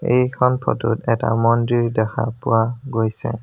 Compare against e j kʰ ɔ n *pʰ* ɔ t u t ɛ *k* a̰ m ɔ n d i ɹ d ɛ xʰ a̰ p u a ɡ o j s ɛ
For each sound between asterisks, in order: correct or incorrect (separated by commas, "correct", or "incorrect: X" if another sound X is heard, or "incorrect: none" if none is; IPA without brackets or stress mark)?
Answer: correct, incorrect: t